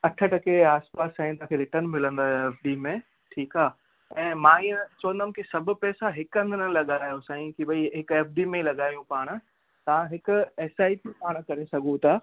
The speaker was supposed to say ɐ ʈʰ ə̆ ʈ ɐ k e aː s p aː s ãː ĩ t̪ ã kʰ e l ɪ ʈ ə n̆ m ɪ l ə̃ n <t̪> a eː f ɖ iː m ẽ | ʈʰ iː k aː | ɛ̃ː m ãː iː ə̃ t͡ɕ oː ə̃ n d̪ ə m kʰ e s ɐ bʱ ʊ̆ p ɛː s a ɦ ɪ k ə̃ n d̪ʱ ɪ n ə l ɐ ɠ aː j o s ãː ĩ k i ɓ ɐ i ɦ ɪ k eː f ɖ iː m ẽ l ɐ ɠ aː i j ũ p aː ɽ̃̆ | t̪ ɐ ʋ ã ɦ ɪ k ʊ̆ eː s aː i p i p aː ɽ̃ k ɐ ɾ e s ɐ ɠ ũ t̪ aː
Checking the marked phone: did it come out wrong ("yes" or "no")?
yes